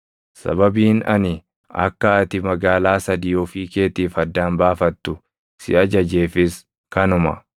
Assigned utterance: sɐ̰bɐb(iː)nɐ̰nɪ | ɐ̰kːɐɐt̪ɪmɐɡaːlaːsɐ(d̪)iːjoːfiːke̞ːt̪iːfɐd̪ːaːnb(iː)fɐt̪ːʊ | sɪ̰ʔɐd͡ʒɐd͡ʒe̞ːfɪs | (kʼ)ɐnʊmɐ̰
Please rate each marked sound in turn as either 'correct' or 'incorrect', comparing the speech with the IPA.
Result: correct, correct, incorrect: aː, incorrect: k

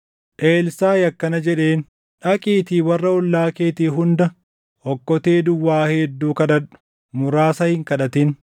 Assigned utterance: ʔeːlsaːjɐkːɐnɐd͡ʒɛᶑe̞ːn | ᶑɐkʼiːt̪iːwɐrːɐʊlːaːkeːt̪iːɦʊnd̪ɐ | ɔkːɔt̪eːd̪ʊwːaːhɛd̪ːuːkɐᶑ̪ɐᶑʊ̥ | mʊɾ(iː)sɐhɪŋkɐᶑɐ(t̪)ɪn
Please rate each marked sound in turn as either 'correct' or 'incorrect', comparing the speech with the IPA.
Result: incorrect: aː, correct

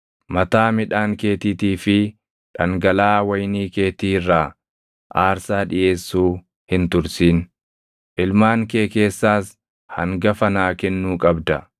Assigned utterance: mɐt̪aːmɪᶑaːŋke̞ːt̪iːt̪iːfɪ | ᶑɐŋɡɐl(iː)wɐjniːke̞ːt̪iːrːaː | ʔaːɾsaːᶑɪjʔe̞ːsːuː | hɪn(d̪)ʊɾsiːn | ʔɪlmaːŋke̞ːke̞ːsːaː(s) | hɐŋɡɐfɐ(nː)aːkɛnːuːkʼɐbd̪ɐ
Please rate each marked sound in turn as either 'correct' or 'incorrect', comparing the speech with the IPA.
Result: incorrect: aː, incorrect: t̪, correct, incorrect: n

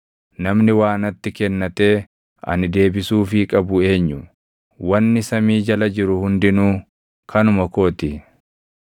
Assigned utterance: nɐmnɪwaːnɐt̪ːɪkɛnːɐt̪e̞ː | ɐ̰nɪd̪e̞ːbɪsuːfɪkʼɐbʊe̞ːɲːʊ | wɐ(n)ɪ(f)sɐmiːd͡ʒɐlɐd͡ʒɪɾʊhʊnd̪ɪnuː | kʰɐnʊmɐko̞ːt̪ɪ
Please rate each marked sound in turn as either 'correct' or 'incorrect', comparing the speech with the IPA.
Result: incorrect: nː, incorrect: none

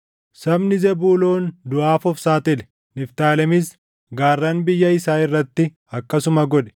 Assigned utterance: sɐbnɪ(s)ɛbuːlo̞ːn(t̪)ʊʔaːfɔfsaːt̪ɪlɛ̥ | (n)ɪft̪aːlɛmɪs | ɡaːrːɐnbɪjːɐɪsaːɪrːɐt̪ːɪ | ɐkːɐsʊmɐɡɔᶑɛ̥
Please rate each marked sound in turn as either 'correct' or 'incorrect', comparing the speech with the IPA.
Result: incorrect: z, incorrect: d̪, correct

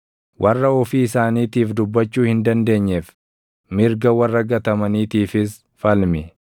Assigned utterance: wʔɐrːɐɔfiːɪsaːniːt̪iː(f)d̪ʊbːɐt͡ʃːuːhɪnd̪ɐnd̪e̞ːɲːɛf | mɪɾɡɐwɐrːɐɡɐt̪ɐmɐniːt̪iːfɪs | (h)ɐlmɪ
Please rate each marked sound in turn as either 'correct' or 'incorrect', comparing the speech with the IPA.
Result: correct, incorrect: f

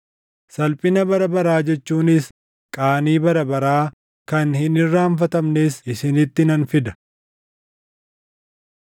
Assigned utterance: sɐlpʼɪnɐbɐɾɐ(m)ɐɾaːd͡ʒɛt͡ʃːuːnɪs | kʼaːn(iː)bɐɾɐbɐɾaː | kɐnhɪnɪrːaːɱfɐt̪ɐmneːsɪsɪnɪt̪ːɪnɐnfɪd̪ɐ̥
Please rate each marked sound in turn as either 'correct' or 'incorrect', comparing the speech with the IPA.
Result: incorrect: b, correct

